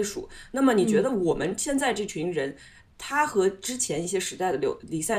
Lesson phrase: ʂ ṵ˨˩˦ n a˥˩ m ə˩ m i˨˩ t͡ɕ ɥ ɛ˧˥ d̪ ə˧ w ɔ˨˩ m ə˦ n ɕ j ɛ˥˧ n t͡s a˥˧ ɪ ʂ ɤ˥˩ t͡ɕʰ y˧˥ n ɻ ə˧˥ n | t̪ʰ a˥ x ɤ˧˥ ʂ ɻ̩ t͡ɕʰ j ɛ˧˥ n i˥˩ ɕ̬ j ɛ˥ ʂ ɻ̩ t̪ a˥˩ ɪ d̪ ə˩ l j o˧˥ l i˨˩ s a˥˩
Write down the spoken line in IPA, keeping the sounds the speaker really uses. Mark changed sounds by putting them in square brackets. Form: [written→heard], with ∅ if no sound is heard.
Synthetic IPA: ʂ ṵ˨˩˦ n a˥˩ m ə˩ [m→n] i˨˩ t͡ɕ ɥ ɛ˧˥ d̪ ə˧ w ɔ˨˩ m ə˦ n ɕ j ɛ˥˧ n t͡s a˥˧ ɪ [ʂ→ʈ͡ʂ] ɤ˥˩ t͡ɕʰ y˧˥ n ɻ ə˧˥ n | t̪ʰ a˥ x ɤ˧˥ [ʂ→ʈ͡ʂ] ɻ̩ t͡ɕʰ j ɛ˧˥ n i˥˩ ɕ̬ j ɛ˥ ʂ ɻ̩ t̪ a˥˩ ɪ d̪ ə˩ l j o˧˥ l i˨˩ s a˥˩